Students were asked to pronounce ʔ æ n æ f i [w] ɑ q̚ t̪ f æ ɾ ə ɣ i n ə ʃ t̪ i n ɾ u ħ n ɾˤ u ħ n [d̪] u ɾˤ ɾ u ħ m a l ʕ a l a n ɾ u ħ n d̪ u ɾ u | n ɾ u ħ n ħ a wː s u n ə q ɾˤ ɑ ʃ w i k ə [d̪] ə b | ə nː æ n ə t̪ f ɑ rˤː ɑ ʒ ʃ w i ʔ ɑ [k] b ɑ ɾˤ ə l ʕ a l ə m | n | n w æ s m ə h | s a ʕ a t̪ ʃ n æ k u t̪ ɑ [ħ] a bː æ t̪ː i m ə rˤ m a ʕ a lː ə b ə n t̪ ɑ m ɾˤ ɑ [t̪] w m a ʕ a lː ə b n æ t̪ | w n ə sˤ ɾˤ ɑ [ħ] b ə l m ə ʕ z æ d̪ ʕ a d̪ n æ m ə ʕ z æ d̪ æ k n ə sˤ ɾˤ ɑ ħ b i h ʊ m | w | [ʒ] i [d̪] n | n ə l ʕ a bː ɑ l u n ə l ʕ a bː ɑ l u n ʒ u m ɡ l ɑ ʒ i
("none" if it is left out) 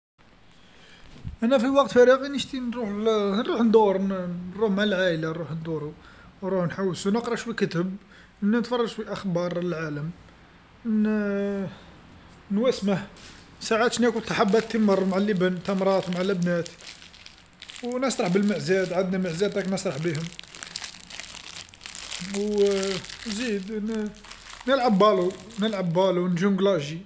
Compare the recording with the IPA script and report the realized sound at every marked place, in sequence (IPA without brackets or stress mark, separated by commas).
w, d̪, t̪, x, ħ, t̪, ħ, z, d̪